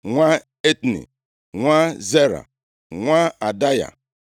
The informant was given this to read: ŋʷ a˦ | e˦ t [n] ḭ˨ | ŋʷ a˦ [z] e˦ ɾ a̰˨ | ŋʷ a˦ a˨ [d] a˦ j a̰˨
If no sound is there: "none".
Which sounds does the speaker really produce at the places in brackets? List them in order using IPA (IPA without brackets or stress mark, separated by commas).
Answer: n, z, d